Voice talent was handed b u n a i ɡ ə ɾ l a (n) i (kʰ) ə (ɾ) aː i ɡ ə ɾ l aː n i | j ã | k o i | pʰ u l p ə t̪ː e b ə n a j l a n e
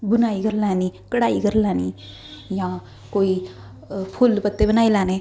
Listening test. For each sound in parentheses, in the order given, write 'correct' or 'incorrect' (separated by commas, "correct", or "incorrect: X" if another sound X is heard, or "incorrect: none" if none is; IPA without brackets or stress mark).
correct, incorrect: k, incorrect: ɽ